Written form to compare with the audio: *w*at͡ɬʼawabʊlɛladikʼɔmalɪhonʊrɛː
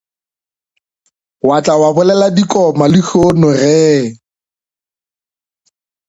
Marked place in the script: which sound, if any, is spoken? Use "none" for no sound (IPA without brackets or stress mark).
w